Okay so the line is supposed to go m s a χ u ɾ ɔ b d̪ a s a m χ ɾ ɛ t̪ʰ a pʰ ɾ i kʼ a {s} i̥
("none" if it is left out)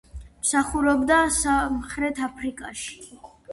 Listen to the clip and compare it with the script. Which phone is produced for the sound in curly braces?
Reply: ʃ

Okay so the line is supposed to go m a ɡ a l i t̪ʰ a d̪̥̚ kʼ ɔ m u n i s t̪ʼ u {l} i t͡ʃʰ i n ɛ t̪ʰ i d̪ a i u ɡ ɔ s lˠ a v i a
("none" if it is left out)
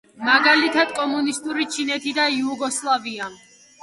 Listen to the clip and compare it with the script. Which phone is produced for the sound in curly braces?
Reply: ɾ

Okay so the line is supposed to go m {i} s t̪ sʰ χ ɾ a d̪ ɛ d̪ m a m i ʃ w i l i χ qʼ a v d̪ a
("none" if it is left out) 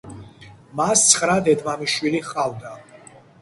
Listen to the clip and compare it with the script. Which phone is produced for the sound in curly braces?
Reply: a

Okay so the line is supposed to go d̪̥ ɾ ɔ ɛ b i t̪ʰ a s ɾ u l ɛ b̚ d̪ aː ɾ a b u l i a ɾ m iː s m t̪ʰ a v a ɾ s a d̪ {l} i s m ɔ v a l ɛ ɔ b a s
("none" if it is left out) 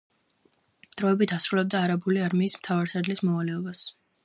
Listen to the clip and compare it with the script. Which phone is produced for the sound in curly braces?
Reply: l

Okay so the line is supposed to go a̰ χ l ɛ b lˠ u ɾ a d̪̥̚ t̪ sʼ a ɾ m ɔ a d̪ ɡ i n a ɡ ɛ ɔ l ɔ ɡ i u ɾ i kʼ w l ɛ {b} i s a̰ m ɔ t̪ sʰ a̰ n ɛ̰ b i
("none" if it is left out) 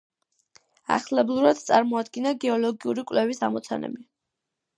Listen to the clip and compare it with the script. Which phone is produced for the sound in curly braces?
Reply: v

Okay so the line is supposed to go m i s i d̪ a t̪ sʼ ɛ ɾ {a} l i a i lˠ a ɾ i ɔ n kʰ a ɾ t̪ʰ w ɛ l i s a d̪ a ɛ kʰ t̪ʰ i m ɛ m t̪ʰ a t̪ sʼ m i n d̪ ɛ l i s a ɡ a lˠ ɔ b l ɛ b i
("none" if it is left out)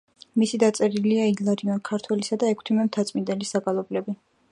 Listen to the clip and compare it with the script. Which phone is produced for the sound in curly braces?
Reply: i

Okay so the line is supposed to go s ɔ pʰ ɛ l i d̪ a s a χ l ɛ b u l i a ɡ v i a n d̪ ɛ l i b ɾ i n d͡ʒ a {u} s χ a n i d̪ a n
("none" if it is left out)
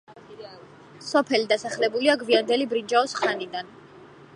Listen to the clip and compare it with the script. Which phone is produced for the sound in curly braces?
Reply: ɔ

